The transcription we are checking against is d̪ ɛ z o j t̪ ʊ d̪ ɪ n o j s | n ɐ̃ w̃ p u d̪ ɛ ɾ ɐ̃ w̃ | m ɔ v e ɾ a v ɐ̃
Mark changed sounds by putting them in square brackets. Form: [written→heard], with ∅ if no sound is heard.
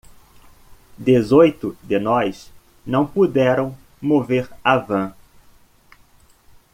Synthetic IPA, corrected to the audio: d̪ [ɛ→e] z o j t̪ ʊ d̪ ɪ n [o→ɔ] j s | n ɐ̃ w̃ p u d̪ ɛ ɾ ɐ̃ w̃ | m [ɔ→o] v e ɾ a v ɐ̃